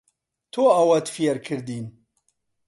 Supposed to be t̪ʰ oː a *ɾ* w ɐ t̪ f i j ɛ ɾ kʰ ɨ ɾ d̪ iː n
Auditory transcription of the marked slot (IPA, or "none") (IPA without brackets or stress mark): none